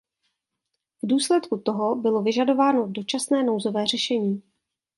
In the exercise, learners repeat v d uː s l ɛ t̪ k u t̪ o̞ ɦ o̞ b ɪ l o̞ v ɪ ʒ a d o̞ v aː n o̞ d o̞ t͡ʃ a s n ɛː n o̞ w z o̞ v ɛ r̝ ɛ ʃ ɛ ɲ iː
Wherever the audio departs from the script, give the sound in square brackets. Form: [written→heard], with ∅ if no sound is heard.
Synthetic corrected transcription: v d uː s l ɛ t̪ k u t̪ o̞ ɦ o̞ b ɪ l o̞ v ɪ ʒ a d o̞ v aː n o̞ d o̞ t͡ʃ a s n ɛː n o̞ w z o̞ v [ɛ→ɛː] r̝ ɛ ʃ ɛ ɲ iː